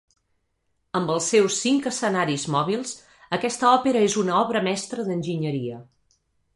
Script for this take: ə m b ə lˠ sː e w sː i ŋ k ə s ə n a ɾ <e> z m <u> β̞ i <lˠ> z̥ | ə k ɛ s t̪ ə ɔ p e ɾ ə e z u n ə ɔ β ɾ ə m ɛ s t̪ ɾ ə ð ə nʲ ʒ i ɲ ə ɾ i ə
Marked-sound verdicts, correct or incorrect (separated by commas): incorrect, incorrect, correct